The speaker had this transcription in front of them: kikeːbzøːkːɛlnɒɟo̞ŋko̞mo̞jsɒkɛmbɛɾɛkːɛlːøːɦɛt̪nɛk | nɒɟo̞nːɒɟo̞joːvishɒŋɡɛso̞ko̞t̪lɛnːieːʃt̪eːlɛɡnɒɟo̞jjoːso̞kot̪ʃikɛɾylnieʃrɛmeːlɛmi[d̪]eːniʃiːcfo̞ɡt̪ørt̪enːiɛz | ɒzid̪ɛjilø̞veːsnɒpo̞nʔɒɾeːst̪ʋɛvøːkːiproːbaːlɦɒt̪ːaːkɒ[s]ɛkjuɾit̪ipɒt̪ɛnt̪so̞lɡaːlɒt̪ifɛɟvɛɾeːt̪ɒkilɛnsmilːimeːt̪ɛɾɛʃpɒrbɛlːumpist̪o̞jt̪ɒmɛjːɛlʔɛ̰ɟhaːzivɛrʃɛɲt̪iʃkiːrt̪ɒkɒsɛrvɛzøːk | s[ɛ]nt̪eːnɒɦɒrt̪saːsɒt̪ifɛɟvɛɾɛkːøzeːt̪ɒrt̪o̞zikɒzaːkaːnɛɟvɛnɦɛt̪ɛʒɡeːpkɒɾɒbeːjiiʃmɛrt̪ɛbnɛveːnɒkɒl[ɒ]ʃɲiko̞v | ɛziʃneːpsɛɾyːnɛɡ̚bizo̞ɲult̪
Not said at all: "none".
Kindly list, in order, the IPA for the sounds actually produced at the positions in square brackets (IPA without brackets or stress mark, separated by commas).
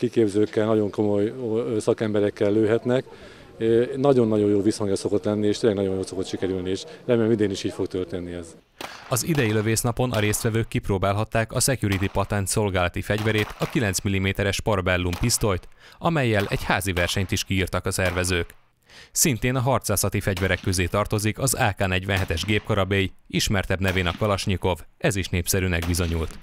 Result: d̪, s, i, ɒ